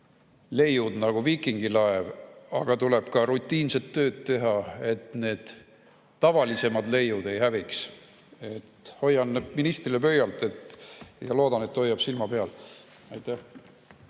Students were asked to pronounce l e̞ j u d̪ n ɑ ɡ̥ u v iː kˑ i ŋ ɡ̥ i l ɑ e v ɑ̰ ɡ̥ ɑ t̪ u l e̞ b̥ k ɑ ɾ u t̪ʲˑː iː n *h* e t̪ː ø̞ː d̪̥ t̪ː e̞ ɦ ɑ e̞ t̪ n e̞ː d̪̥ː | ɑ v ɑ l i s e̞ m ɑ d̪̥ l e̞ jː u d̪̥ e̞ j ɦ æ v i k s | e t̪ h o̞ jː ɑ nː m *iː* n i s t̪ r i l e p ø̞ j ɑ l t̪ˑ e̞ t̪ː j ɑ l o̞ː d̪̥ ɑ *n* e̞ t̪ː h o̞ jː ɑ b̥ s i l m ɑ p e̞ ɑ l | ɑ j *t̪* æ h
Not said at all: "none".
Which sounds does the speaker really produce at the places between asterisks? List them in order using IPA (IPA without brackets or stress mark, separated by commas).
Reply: s, i, n, t̪